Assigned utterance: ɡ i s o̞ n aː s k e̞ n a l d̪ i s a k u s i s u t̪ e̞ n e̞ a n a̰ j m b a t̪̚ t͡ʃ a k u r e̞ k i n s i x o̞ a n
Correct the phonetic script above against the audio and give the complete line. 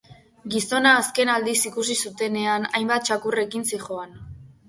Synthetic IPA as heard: ɡ i s o̞ n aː s k e̞ n a l d̪ i s i k u s i s u t̪ e̞ n e̞ a n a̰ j m b a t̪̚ t͡ʃ a k u r e̞ k i n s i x o̞ a n